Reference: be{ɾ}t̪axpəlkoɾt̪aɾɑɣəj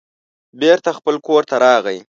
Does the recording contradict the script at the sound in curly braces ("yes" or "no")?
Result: no